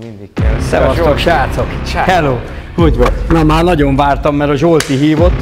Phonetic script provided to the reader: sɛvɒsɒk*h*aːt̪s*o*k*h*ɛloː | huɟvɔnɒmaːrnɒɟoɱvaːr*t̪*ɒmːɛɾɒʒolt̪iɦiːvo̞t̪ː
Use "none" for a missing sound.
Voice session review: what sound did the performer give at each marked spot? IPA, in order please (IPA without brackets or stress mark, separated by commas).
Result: ʃ, o, h, t̪